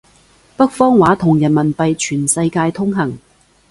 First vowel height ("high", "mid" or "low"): low